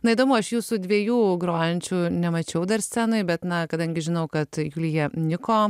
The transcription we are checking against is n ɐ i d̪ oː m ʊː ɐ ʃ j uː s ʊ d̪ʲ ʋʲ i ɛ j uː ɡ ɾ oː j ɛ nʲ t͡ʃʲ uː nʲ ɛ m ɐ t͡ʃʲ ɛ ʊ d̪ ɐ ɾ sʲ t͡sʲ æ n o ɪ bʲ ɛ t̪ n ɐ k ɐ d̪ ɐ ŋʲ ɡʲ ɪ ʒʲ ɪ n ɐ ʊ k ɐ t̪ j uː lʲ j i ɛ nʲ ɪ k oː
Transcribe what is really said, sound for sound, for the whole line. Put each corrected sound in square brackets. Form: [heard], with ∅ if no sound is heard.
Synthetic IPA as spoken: n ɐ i d̪ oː m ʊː ɐ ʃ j uː s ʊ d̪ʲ ʋʲ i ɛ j uː ɡ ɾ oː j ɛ nʲ t͡ʃʲ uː nʲ ɛ m ɐ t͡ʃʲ ɛ ʊ d̪ ɐ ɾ sʲ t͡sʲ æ n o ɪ bʲ ɛ t̪ n ɐ k ɐ d̪ ɐ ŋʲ ɡʲ ɪ ʒʲ ɪ n ɐ ʊ k ɐ t̪ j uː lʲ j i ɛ nʲ ɪ k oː